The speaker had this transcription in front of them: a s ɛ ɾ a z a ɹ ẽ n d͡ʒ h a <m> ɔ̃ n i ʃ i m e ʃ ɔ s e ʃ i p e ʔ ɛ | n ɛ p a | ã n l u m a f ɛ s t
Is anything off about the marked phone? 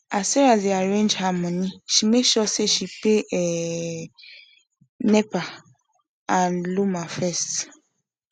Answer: no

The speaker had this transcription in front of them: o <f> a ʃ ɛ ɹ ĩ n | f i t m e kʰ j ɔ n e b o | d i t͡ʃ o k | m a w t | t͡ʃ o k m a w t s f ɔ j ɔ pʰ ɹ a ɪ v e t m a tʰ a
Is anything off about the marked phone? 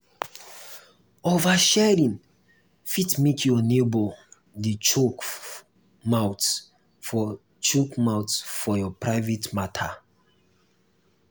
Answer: yes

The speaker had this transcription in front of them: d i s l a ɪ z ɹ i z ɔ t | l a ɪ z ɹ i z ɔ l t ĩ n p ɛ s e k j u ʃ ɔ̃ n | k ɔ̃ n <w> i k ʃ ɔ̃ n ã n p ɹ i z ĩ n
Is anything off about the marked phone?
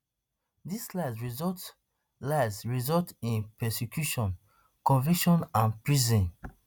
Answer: yes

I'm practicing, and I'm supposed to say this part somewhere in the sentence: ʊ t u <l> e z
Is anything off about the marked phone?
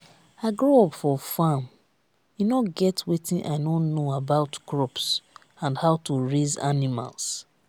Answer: yes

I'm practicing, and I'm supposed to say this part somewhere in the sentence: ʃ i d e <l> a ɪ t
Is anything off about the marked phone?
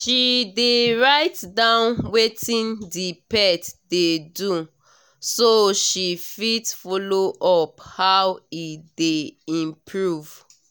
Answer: yes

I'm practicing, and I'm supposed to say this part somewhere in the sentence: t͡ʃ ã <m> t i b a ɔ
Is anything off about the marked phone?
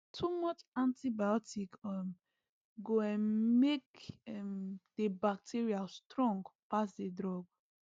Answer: yes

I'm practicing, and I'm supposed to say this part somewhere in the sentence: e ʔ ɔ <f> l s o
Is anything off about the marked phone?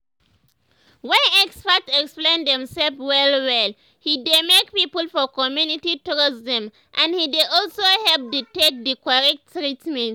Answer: yes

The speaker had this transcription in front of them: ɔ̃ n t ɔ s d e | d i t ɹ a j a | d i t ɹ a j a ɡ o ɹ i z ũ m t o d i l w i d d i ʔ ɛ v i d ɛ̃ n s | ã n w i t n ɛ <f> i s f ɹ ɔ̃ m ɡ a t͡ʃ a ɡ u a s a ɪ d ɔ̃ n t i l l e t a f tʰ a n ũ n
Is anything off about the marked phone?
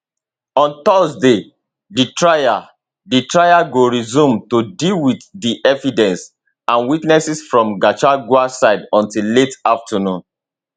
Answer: yes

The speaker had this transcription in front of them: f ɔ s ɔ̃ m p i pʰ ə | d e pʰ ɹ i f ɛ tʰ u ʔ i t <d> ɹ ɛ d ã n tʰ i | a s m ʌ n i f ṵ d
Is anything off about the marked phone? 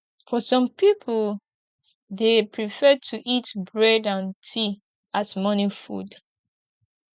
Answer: yes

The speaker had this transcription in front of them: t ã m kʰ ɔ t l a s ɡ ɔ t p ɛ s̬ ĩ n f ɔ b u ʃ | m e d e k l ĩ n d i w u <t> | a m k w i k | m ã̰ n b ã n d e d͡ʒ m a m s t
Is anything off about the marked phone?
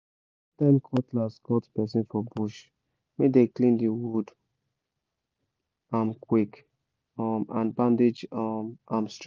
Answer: yes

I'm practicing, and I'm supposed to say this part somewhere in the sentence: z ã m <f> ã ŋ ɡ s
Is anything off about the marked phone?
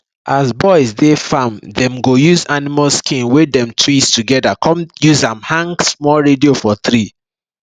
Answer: yes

